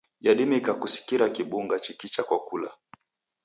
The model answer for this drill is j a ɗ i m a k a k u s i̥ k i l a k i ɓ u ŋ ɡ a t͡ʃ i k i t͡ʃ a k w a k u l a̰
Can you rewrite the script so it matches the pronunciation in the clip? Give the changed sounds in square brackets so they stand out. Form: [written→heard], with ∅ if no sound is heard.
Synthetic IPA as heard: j a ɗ i m [a→i] k a k u s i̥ k i [l→ɾ] a k i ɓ u ŋ ɡ a t͡ʃ i k i t͡ʃ a k w a k u l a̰

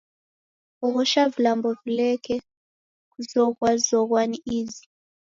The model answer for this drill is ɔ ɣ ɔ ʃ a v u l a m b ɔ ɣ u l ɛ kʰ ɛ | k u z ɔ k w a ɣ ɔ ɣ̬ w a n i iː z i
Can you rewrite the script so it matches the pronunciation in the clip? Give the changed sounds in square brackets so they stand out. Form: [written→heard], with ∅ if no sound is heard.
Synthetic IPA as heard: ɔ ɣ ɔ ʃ a v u l a m b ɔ [ɣ→v] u l ɛ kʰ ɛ | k u z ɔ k w a [ɣ→z] ɔ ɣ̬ w a n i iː z i

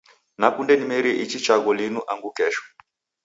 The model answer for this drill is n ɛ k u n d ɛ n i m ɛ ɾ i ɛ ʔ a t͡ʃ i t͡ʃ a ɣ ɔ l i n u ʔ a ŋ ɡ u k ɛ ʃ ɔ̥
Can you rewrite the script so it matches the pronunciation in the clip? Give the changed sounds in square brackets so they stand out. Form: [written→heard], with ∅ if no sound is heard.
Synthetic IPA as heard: n [ɛ→a] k u n d ɛ n i m ɛ ɾ i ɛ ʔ [a→i] t͡ʃ i t͡ʃ a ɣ ɔ l i n u ʔ a ŋ ɡ u k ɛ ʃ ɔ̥

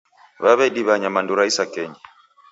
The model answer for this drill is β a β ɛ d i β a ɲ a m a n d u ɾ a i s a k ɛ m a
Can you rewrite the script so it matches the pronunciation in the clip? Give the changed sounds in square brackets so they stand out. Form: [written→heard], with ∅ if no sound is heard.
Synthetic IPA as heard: β a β ɛ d i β a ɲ a m a n d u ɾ a i s a k ɛ [m→ɲ] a

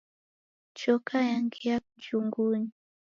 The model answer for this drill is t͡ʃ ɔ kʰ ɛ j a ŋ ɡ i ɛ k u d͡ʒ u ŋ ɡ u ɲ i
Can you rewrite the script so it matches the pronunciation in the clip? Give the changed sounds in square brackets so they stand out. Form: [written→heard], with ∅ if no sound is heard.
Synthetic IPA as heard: t͡ʃ ɔ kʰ [ɛ→a] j a ŋ ɡ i [ɛ→a] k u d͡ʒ u ŋ ɡ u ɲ i

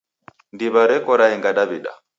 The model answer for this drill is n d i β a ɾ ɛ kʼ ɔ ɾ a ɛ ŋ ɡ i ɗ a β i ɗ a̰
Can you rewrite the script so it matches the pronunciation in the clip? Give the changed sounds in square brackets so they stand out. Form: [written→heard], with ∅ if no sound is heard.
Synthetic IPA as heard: n d i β a ɾ ɛ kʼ ɔ ɾ a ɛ ŋ ɡ [i→a] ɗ a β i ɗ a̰

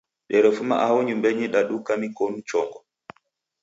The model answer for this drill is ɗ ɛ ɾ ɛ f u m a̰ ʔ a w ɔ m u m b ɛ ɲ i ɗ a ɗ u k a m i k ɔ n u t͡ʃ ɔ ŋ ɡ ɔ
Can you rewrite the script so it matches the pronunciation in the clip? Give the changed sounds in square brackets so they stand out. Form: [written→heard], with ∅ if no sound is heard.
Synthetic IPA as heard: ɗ ɛ ɾ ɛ f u m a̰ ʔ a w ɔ [m→ɲ] u m b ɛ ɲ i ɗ a ɗ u k a m i k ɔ n u t͡ʃ ɔ ŋ ɡ ɔ

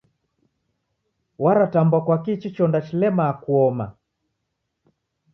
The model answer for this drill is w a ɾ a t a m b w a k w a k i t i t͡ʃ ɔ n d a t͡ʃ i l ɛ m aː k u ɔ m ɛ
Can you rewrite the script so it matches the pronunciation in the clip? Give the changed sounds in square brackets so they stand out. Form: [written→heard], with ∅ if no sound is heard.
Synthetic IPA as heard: w a ɾ a t a m b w a k w a k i [t→t͡ʃ] i t͡ʃ ɔ n d a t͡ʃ i l ɛ m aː k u ɔ m [ɛ→a]

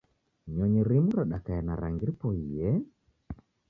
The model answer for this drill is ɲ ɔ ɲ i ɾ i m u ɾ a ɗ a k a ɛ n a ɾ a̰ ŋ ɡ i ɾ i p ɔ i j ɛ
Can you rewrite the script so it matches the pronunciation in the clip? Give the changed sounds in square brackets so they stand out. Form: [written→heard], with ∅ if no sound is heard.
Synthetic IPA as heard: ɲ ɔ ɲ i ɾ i m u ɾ a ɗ a k a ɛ n a ɾ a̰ ŋ ɡ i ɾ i p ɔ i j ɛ

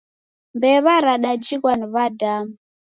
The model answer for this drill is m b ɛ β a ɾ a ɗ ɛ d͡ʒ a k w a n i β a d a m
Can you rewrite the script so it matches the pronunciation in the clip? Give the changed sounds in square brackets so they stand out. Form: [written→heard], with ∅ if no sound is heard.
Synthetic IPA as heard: m b ɛ β a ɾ a ɗ [ɛ→a] d͡ʒ [a→i] k w a n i β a d a m

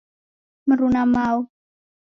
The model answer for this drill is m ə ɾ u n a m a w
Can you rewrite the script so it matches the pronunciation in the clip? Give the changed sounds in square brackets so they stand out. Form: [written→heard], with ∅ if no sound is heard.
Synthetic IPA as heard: m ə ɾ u n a m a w

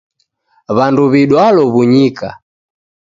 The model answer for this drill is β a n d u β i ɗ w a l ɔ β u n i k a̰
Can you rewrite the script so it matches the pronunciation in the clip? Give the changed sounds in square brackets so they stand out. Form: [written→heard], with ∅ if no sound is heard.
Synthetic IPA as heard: β a n d u β i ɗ w a l ɔ β u [n→ɲ] i k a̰

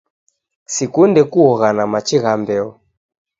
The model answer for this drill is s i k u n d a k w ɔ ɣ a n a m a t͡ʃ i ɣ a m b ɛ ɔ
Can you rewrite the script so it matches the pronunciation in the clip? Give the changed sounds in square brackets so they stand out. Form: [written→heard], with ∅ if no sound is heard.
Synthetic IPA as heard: s i k u n d [a→ɛ] k [w→u] ɔ ɣ a n a m a t͡ʃ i ɣ a m b ɛ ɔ

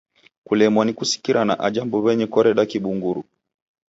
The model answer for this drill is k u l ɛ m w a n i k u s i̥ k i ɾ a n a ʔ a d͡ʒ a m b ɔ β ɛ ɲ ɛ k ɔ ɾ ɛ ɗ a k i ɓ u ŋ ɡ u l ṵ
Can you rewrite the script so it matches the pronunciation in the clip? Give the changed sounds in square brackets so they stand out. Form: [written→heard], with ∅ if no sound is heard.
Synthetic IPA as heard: k u l ɛ m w a n i k u s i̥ k i ɾ a n a ʔ a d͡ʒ a m b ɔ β ɛ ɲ ɛ k ɔ ɾ ɛ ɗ a k i ɓ u ŋ ɡ u [l→ɾ] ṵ

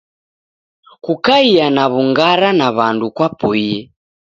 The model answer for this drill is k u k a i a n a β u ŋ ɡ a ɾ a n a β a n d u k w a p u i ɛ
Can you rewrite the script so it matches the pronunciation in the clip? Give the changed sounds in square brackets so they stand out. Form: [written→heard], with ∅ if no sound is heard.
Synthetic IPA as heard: k u k a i a n a β u ŋ ɡ a ɾ a n a β a n d u k w a p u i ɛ

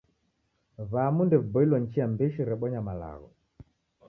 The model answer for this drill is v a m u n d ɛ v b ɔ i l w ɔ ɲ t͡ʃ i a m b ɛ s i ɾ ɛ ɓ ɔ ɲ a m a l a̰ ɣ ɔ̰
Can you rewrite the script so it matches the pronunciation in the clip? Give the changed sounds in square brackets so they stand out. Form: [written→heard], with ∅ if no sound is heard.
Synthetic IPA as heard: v a m u n d ɛ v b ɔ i l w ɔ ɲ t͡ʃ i a m b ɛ [s→ʃ] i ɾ ɛ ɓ ɔ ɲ a m a l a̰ ɣ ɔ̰

